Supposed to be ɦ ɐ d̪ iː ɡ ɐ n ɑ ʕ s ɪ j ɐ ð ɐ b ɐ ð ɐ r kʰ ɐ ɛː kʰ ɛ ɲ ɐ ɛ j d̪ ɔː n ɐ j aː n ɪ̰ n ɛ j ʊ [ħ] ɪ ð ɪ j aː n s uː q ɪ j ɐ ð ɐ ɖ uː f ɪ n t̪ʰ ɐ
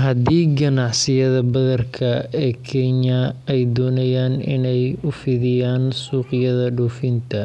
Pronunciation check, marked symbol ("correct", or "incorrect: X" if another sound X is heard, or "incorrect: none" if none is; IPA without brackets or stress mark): incorrect: f